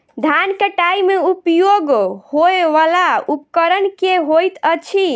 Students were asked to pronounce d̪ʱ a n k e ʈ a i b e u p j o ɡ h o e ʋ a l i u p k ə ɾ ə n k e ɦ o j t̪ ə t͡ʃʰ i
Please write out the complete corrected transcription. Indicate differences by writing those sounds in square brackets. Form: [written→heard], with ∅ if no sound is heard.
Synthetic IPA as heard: d̪ʱ a n k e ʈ a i [b→m] e u p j o ɡ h o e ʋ a l [i→a] u p k ə ɾ ə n k e ɦ o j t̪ ə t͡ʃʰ i